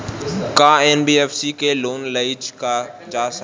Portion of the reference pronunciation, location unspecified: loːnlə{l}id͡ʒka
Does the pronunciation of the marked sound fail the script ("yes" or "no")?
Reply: yes